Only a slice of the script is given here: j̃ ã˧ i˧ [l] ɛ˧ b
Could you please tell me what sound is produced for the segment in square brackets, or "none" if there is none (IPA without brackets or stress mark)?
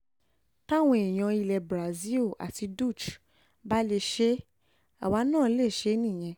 l